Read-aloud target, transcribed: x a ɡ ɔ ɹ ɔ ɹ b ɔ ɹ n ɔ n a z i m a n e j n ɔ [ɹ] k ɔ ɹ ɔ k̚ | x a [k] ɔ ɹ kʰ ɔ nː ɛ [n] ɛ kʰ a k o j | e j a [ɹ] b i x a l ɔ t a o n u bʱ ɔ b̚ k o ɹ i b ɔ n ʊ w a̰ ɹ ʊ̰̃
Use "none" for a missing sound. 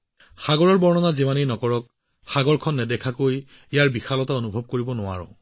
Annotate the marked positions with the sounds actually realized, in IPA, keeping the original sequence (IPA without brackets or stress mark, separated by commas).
none, ɡ, d, ɹ